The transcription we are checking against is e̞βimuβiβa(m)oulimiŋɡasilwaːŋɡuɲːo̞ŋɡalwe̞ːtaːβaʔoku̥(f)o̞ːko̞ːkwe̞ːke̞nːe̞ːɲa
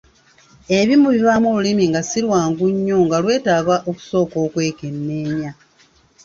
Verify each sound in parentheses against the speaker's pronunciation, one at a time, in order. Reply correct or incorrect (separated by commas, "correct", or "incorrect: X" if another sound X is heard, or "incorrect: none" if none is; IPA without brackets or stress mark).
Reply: correct, incorrect: s